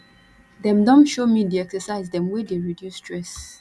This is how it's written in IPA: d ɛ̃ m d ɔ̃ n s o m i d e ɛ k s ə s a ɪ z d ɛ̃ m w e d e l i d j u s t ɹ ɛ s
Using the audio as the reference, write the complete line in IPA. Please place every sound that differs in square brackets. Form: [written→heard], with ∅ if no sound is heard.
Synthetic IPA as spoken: d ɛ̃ m d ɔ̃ n [s→ʃ] o m i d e ɛ k s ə s a ɪ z d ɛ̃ m w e d e [l→ɹ] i d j u s t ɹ ɛ s